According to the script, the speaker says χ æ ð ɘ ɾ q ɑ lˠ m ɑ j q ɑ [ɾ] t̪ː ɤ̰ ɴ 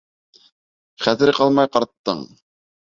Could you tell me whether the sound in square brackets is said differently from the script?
no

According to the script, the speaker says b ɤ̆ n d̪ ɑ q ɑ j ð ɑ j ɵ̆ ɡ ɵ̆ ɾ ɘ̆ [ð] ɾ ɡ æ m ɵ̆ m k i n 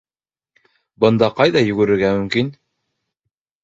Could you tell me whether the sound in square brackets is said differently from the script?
yes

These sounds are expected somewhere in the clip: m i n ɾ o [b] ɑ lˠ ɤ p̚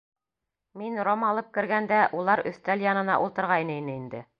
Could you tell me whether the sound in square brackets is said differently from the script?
yes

